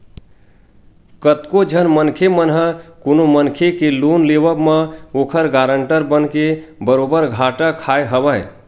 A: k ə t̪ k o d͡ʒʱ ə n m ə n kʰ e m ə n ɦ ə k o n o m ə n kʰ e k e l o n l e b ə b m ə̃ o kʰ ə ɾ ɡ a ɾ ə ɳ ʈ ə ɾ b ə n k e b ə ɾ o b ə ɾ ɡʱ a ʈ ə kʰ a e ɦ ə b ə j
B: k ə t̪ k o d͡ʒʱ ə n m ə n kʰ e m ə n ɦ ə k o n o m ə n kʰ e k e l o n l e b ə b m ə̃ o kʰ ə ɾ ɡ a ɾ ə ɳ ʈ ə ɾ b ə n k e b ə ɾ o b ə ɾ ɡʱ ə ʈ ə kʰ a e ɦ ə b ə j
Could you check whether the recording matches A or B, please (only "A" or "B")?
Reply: A